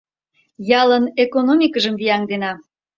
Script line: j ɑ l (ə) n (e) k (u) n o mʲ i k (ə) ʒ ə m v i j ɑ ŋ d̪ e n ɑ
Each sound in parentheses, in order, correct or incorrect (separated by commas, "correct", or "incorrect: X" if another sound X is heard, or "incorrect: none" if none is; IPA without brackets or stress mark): correct, correct, incorrect: o, correct